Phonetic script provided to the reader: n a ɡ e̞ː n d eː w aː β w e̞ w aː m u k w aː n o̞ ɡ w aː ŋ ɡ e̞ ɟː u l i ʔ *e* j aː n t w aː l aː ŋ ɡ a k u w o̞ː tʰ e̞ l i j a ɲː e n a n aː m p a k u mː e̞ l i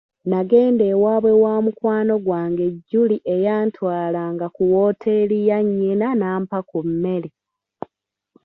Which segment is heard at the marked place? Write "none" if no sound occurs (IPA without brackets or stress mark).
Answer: e